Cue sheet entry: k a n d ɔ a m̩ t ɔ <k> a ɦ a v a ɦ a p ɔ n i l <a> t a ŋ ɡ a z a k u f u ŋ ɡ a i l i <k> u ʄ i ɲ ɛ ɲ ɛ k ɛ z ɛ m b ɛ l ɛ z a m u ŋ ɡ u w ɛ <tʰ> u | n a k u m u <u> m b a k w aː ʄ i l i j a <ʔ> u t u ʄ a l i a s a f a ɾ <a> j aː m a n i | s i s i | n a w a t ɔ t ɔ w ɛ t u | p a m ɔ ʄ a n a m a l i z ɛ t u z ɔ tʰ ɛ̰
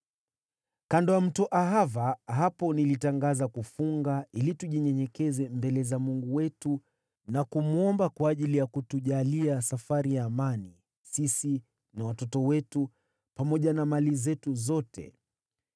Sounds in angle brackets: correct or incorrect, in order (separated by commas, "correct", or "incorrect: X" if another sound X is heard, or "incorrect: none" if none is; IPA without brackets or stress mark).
incorrect: ʔ, incorrect: i, incorrect: t, incorrect: t, incorrect: ɔ, incorrect: k, incorrect: i